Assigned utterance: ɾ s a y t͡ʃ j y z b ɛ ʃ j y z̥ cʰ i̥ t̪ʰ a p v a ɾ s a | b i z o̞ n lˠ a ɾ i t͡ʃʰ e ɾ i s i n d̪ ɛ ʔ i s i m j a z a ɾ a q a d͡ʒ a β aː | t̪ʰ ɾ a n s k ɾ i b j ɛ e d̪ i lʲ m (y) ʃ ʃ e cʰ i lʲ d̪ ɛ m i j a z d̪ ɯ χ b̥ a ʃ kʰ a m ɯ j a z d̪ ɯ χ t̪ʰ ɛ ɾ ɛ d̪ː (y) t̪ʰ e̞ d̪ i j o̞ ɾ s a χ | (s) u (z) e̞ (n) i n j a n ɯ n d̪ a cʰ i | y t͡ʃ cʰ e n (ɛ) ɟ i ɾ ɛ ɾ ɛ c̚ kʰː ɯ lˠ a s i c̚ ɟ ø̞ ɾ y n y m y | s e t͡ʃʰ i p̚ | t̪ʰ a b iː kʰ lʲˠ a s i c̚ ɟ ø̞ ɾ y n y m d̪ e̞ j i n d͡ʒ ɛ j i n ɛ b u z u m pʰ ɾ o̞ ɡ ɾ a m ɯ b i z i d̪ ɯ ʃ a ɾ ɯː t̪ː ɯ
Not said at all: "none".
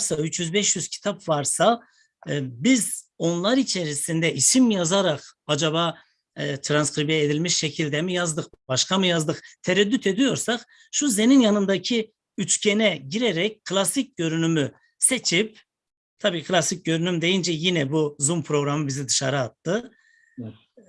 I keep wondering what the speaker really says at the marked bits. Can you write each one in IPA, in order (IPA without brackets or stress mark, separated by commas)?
i, y, ʃ, z, n, ɛ